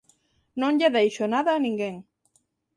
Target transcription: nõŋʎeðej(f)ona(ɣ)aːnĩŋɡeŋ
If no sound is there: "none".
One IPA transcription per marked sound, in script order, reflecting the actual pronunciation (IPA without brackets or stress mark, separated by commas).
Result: ʃ, ð